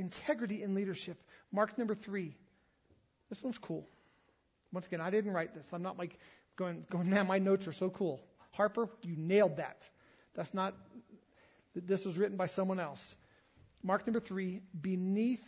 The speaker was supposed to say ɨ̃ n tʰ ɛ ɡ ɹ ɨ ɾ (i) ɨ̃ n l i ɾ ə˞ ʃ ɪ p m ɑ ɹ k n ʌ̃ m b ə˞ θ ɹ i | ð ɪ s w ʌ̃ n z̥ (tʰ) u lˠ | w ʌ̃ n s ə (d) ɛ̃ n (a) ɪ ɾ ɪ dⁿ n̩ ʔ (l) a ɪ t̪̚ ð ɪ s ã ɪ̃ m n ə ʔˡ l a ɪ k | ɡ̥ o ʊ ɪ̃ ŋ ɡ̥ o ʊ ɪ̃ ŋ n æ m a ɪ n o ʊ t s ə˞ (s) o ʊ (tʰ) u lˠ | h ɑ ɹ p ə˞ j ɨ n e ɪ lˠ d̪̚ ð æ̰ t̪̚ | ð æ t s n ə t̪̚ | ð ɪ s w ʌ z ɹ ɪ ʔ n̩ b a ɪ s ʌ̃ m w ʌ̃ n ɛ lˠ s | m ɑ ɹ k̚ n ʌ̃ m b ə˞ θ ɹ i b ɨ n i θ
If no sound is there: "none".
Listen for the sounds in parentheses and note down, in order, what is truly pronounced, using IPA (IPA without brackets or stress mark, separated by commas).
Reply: i, kʰ, ɡ, a, ɹ, s, kʰ